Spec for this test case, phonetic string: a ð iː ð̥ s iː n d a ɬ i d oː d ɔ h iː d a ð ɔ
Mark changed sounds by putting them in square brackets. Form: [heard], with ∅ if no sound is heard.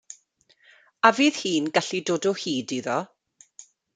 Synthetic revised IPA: a [v] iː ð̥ [h] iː n [ɡ] a ɬ i d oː d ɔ h iː d [i] ð ɔ